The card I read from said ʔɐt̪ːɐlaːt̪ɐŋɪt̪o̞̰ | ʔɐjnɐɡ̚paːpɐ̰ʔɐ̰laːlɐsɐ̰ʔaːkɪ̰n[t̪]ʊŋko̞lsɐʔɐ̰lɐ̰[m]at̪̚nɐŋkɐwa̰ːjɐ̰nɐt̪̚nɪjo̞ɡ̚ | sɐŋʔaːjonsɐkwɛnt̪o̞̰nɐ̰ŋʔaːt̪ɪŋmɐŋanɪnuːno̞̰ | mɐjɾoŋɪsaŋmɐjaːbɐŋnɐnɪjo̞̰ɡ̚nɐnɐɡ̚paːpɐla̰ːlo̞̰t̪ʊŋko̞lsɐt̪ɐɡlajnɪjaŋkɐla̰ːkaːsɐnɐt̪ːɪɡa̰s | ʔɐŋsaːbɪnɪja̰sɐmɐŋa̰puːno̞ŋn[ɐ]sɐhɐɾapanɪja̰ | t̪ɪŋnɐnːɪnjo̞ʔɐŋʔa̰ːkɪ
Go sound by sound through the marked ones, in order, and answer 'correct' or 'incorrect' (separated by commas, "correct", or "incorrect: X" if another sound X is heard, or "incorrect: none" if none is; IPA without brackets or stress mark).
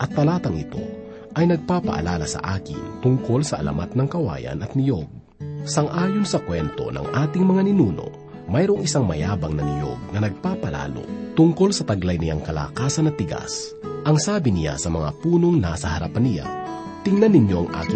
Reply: correct, correct, incorrect: a